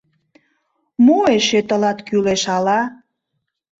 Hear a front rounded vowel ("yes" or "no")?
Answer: yes